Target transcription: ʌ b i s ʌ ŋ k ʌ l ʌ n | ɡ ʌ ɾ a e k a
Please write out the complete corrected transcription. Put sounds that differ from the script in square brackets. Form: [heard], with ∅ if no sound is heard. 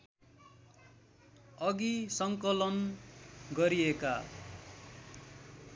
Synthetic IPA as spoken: ʌ [ɡ] i s ʌ ŋ k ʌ l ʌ n | ɡ ʌ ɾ [i] e k a